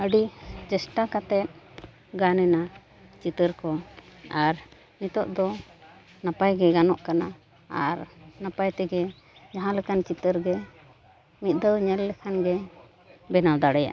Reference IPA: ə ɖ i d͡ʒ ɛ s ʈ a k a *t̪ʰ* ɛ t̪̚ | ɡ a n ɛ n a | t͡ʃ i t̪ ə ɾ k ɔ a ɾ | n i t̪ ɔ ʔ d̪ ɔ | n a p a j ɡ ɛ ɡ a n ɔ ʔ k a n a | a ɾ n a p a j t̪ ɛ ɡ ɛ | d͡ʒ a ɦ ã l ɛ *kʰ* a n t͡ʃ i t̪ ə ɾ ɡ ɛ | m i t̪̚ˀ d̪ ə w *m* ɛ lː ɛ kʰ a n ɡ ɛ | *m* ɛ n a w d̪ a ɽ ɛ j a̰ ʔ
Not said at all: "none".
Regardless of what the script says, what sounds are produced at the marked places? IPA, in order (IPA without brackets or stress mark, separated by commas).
t̪, k, ɲ, b